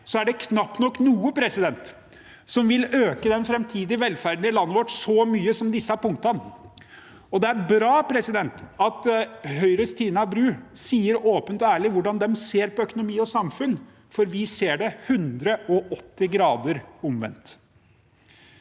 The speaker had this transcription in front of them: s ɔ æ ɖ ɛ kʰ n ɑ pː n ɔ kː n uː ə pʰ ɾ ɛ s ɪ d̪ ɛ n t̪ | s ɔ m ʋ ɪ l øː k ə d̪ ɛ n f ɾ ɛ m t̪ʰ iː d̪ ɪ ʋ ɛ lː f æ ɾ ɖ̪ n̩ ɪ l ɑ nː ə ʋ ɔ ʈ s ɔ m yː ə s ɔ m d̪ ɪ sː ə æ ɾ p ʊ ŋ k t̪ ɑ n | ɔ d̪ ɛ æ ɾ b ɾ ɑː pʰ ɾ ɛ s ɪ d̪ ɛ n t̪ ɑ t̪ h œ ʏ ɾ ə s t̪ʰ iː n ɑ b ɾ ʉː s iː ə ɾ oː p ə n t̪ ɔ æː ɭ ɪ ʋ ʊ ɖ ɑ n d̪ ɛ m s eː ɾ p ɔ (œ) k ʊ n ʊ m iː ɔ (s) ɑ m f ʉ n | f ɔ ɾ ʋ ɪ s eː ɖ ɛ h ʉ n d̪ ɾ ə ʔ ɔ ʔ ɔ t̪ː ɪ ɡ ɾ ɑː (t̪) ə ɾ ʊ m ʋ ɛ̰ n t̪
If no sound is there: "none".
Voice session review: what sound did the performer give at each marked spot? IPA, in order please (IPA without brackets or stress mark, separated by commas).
œ, s, d̪